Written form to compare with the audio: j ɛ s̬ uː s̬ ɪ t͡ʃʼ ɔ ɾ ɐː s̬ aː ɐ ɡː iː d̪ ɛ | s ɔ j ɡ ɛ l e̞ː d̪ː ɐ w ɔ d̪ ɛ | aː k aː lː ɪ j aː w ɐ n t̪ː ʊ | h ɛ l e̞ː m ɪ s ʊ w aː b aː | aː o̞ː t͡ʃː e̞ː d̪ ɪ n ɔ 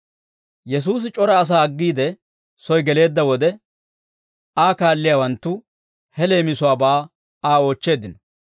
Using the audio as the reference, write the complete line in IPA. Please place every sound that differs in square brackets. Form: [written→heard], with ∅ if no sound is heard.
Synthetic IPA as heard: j ɛ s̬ uː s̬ ɪ t͡ʃʼ ɔ ɾ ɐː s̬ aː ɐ ɡː iː d̪ ɛ | s ɔ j ɡ ɛ l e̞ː d̪ː ɐ w ɔ d̪ ɛ | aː k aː lː ɪ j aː w ɐ n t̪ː ʊ | h ɛ l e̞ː m ɪ s ʊ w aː b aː | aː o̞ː t͡ʃː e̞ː d̪ ɪ n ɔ